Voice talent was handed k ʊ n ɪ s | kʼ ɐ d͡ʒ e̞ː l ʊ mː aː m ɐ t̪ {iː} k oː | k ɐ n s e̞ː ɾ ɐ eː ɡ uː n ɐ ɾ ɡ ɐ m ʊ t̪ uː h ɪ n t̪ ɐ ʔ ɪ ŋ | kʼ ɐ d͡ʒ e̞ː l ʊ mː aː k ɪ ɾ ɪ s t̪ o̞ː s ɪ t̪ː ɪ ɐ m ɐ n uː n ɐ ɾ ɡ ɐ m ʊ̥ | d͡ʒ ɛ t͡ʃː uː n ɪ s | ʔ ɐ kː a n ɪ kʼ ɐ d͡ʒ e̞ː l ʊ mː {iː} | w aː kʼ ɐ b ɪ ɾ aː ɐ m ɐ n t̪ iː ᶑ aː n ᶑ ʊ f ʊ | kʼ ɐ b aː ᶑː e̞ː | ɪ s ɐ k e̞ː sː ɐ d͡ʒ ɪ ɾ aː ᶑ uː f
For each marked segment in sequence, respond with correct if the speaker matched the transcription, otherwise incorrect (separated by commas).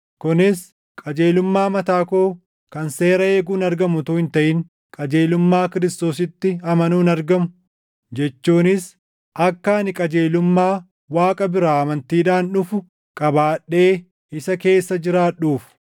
incorrect, incorrect